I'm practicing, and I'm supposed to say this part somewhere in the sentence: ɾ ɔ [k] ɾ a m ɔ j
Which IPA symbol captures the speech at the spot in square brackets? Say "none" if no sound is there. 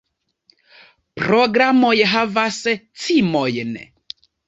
ɡ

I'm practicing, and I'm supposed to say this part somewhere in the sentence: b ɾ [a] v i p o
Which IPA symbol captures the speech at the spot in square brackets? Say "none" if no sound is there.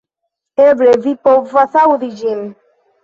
e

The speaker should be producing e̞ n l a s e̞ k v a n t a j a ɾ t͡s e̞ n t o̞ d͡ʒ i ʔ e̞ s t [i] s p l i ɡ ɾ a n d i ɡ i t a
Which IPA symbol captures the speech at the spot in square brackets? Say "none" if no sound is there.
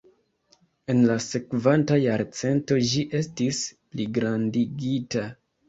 i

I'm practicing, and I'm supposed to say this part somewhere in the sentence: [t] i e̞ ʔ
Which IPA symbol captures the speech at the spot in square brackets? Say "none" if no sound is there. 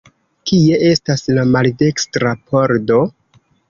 k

